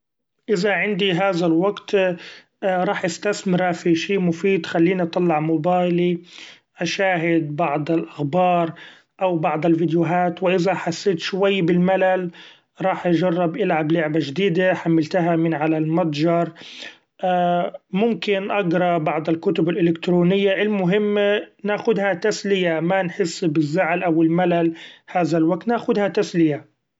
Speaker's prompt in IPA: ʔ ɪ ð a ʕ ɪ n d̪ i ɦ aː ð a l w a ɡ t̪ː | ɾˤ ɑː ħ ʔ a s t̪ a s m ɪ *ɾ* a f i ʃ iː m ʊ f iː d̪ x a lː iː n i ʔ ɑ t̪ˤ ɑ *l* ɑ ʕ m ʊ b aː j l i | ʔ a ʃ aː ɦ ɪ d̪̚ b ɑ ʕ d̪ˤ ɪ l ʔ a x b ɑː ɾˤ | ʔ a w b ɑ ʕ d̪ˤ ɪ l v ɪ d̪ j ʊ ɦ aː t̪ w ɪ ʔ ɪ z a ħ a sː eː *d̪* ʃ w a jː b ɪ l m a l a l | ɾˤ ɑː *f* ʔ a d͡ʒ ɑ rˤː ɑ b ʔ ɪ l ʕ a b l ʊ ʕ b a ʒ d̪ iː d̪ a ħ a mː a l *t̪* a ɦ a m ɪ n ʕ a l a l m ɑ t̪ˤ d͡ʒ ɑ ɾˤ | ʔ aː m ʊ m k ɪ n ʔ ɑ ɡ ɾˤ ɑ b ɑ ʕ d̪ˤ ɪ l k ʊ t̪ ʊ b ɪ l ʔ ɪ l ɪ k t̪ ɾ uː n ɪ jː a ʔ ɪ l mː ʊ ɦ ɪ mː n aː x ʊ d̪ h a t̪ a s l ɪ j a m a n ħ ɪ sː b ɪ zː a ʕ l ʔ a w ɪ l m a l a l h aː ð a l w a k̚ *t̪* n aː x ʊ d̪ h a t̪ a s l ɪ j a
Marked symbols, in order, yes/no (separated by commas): yes, no, no, no, yes, yes